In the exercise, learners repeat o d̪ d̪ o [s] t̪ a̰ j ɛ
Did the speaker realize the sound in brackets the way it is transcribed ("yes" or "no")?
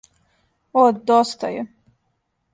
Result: yes